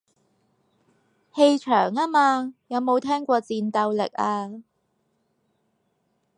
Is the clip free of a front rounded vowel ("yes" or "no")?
no